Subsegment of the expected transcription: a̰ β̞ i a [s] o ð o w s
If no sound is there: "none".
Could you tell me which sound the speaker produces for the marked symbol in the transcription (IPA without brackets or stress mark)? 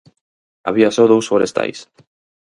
s